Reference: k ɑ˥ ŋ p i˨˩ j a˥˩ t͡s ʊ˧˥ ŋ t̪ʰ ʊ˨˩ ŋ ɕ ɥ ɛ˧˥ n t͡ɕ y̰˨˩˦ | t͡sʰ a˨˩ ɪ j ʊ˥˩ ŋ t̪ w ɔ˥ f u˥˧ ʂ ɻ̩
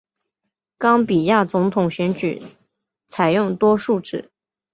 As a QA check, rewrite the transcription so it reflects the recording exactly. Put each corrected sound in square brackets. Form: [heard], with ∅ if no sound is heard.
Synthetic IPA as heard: k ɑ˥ ŋ p i˨˩ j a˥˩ t͡s ʊ˧˥ ŋ t̪ʰ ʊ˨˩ ŋ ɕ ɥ ɛ˧˥ n t͡ɕ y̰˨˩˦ | t͡sʰ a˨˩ ɪ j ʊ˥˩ ŋ t̪ w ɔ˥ [ʂ] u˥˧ [ʈ͡ʂ] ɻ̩